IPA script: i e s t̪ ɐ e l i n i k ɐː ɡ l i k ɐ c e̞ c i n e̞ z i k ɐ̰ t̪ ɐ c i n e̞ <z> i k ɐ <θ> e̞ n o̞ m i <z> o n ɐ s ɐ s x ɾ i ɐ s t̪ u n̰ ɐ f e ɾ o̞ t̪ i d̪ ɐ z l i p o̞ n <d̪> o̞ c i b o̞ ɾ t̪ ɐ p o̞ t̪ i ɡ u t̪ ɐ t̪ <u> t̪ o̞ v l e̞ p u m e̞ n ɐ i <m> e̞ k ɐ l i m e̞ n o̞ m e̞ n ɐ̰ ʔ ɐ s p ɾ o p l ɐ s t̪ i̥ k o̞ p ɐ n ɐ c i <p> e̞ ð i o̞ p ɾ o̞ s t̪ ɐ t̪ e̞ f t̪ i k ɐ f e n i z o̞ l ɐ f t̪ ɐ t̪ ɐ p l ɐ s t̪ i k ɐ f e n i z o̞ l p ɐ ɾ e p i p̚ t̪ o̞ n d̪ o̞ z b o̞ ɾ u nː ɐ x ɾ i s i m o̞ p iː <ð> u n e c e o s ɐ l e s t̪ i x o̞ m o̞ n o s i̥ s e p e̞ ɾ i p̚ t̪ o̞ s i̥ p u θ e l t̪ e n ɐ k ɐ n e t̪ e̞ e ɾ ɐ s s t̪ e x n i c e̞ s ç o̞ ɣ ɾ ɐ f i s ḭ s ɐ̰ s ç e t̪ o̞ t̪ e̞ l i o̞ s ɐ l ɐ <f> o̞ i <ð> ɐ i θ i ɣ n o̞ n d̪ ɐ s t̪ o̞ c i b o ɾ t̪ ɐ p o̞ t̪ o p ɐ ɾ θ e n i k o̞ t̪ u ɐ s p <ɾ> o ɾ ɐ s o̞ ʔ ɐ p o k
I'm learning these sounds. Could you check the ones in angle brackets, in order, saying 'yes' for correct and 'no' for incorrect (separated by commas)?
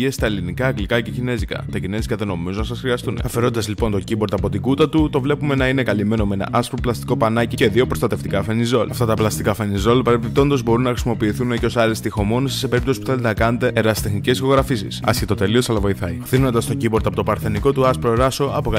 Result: yes, no, yes, no, yes, no, no, no, no, no, yes